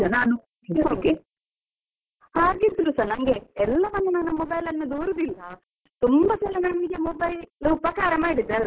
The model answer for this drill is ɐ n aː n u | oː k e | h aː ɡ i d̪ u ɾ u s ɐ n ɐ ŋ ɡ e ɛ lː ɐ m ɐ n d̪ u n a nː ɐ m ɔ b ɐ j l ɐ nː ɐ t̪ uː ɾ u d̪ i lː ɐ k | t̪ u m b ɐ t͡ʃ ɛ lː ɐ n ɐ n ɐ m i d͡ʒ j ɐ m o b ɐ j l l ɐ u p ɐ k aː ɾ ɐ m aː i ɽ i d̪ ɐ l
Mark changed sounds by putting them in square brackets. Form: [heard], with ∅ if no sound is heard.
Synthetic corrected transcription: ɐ n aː n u | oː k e | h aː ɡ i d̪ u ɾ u s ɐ n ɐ ŋ ɡ e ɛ lː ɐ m ɐ n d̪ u n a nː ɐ m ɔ b ɐ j l ɐ nː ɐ [d̪] uː ɾ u d̪ i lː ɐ [∅] | t̪ u m b ɐ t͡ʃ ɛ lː ɐ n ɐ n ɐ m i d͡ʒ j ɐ m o b ɐ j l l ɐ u p ɐ k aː ɾ ɐ m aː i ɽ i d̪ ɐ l